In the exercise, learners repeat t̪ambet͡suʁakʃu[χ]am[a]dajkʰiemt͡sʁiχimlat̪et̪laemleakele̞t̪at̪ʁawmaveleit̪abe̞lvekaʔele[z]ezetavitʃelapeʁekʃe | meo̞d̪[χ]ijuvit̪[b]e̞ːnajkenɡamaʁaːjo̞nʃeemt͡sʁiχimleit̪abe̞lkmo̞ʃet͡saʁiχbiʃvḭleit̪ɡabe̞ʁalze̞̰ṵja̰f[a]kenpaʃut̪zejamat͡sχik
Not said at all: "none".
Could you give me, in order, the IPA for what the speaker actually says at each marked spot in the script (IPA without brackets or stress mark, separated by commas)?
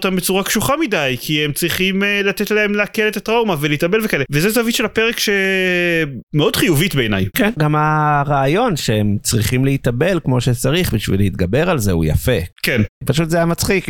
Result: χ, i, v, χ, b, e